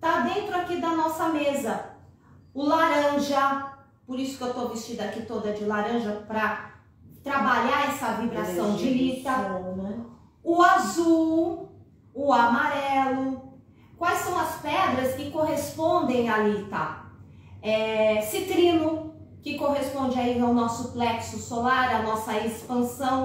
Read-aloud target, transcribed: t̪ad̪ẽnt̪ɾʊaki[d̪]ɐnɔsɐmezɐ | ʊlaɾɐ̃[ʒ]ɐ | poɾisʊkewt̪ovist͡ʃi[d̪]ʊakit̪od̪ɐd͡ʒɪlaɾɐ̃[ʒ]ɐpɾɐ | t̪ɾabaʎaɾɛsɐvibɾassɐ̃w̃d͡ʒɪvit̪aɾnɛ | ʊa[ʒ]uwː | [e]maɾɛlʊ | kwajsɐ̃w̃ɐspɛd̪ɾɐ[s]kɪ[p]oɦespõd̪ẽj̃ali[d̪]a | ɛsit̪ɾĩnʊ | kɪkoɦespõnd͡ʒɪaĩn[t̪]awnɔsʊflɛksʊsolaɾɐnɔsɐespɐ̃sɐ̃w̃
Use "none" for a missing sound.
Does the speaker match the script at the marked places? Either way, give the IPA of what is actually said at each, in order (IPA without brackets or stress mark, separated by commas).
d̪, ʒ, d̪, ʒ, z, a, s, k, t̪, d̪